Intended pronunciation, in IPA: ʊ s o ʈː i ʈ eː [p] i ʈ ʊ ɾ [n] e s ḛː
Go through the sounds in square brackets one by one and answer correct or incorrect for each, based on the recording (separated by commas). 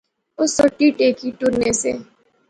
incorrect, correct